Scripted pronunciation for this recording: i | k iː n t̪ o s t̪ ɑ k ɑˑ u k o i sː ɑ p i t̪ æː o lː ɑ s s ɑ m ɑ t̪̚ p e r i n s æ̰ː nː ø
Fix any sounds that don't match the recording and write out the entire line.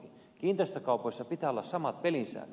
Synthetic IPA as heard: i | k iː n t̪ o s t̪ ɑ k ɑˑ u p o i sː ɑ p i t̪ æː o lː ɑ s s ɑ m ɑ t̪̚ p e l i n s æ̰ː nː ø